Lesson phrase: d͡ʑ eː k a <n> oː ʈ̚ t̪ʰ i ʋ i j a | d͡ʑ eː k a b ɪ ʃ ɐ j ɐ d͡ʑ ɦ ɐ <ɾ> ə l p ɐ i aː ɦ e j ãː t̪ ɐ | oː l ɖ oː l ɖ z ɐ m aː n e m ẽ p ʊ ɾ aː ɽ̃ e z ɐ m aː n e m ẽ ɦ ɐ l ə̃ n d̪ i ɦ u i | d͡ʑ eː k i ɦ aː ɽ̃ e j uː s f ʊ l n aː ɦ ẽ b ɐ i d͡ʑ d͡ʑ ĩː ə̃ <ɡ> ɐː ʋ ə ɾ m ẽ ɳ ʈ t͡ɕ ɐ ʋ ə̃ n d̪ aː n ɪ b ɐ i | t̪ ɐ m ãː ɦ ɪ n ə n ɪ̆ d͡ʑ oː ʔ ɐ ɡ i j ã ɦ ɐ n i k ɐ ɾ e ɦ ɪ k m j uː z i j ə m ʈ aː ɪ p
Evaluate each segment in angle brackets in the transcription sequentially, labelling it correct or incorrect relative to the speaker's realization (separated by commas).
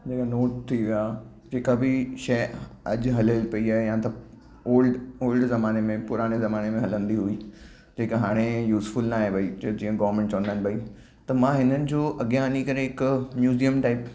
correct, incorrect, correct